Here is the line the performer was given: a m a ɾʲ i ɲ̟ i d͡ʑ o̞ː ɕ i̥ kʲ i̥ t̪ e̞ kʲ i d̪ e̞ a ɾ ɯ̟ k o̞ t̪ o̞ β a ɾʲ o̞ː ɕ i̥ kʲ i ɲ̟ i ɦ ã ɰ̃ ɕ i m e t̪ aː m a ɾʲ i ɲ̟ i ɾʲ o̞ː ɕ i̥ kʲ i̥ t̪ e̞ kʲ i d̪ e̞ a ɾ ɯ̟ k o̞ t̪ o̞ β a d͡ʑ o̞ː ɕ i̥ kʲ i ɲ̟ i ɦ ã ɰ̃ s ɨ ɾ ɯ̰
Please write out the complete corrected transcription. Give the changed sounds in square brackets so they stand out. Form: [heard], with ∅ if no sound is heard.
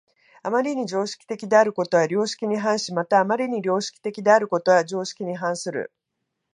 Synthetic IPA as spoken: a m a ɾʲ i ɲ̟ i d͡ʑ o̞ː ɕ i̥ kʲ i̥ t̪ e̞ kʲ i d̪ e̞ a ɾ ɯ̟ k o̞ t̪ o̞ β a ɾʲ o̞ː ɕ i̥ kʲ i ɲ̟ i ɦ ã ɰ̃ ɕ i m [a] t̪ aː m a ɾʲ i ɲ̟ i ɾʲ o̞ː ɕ i̥ kʲ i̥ t̪ e̞ kʲ i d̪ e̞ a ɾ ɯ̟ k o̞ t̪ o̞ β a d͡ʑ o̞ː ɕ i̥ kʲ i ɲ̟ i ɦ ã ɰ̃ s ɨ ɾ ɯ̰